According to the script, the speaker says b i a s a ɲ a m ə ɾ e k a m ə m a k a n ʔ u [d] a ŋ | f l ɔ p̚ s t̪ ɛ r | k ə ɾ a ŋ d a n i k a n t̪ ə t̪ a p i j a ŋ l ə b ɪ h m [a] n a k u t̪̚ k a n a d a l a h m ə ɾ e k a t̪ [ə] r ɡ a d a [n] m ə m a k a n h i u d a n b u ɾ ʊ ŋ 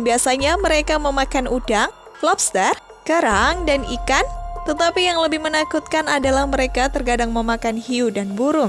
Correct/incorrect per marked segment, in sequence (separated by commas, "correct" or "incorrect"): correct, incorrect, correct, incorrect